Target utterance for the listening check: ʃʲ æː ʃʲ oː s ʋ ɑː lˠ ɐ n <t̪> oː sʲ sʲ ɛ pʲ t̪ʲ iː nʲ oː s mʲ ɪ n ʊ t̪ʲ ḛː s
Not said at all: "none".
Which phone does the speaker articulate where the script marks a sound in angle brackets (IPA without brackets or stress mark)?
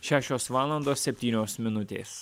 d̪